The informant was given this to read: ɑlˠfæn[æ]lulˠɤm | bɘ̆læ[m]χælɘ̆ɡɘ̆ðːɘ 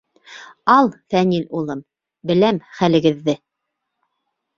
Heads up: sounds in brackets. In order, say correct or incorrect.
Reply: incorrect: i, correct

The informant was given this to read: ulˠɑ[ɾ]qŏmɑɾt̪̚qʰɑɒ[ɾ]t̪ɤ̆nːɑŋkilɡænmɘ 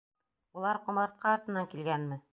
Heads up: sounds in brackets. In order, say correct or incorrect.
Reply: correct, correct

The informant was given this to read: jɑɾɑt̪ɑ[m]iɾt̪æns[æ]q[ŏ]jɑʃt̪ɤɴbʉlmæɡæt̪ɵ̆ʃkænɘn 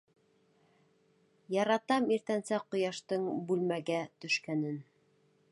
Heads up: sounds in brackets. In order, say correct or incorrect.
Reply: correct, correct, correct

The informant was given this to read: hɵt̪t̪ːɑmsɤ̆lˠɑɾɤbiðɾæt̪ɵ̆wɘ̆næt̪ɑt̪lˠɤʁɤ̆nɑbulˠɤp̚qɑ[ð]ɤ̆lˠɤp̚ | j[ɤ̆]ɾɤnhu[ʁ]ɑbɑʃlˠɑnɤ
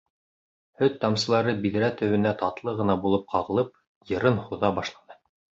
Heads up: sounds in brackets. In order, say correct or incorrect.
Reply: incorrect: ʁ, correct, incorrect: ð

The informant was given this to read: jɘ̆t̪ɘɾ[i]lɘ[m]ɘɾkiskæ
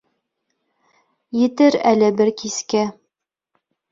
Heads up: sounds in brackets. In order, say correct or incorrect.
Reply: incorrect: æ, incorrect: b

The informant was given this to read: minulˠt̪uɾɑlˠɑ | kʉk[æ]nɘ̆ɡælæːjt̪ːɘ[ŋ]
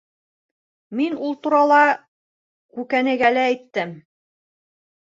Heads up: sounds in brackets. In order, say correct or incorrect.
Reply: correct, incorrect: m

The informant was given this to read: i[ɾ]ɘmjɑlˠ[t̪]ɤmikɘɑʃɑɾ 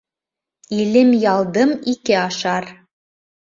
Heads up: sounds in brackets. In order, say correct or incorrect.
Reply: incorrect: l, incorrect: d̪

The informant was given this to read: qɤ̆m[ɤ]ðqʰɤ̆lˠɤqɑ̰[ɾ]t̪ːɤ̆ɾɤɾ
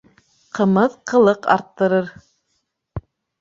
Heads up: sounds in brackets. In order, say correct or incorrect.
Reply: correct, correct

